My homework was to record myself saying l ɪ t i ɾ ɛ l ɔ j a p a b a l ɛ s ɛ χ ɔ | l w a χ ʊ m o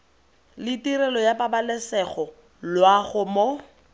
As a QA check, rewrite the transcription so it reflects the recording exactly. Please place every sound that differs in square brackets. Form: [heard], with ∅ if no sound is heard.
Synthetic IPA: l ɪ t i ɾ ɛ l ɔ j a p a b a l ɛ s ɛ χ ɔ | l w a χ ʊ m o